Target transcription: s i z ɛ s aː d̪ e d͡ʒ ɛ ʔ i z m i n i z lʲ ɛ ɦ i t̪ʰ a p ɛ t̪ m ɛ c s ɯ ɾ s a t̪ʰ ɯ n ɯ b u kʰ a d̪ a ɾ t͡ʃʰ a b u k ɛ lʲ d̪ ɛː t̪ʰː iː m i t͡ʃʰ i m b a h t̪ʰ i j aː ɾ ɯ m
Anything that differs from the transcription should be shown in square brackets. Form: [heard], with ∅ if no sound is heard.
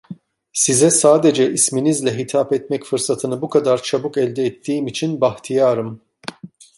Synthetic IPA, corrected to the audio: s i z ɛ s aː d̪ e d͡ʒ ɛ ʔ i [s] m i n i z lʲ ɛ ɦ i t̪ʰ a p ɛ t̪ m ɛ c [f] ɯ ɾ s a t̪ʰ ɯ n ɯ b u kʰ a d̪ a ɾ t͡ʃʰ a b u k ɛ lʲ d̪ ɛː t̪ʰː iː m i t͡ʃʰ i [n] b a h t̪ʰ i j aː ɾ ɯ m